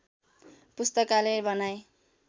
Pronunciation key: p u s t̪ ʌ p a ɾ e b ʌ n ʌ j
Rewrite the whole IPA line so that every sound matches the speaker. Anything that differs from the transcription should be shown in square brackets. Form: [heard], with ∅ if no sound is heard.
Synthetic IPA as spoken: p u s t̪ ʌ [k] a [l] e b ʌ n [a] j